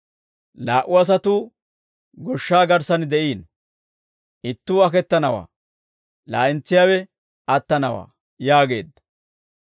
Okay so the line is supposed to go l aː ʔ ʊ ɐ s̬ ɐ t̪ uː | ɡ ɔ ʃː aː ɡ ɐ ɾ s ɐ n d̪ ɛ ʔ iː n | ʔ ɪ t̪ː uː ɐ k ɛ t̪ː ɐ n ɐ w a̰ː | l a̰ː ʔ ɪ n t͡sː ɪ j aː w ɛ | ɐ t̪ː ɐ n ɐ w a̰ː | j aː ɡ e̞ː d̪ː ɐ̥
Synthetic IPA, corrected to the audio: l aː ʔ ʊ ɐ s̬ ɐ t̪ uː | ɡ ɔ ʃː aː ɡ ɐ ɾ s ɐ n d̪ ɛ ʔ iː n | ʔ ɪ t̪ː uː ɐ k ɛ t̪ː ɐ n ɐ w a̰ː | l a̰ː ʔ ɪ n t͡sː ɪ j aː w ɛ | ɐ t̪ː ɐ n ɐ w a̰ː | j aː ɡ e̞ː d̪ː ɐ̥